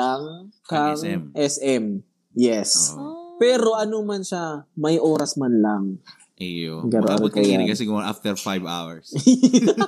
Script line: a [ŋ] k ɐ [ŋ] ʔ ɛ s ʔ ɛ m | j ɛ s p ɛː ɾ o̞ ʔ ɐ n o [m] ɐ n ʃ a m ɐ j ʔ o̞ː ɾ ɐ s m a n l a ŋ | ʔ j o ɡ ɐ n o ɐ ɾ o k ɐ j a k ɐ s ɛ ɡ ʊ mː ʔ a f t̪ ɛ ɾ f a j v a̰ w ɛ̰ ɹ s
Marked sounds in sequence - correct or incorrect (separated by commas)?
correct, correct, correct